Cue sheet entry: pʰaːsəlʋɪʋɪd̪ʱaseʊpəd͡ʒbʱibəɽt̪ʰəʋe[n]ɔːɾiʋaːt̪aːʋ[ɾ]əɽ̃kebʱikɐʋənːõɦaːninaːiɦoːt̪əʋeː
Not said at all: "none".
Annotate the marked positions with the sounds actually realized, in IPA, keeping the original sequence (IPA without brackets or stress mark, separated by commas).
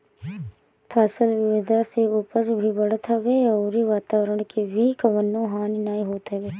none, ɾ